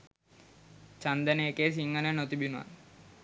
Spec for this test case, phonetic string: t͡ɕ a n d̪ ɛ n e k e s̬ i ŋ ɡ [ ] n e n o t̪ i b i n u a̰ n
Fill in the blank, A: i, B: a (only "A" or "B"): B